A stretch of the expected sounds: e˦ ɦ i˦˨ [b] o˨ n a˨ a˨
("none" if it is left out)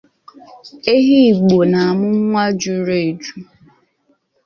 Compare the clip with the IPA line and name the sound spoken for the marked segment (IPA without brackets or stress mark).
ɡ͡b